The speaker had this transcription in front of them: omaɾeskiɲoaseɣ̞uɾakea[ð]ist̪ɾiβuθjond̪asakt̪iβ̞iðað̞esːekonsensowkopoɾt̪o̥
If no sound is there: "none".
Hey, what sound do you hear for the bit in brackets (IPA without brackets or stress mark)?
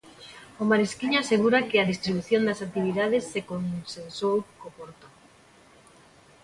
ð